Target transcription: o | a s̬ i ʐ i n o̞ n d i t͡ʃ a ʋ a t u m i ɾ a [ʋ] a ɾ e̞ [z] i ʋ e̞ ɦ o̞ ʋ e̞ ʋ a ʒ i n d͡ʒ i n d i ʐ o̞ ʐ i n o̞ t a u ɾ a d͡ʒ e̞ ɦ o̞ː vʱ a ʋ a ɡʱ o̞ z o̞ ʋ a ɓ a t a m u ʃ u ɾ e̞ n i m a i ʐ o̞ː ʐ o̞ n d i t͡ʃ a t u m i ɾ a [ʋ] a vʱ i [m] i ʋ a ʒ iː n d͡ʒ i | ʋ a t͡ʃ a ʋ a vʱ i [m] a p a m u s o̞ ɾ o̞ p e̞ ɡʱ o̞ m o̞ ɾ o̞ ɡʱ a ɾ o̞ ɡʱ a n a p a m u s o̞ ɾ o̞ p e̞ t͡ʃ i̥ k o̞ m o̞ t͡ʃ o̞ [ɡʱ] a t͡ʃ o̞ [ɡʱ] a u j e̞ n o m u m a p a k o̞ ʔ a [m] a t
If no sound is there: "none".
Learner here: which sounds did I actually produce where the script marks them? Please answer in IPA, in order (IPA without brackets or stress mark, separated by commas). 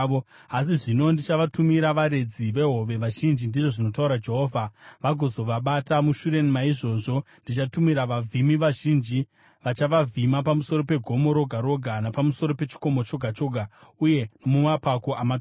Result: ʋ, d͡z, ʋ, m, m, ɡʱ, ɡʱ, m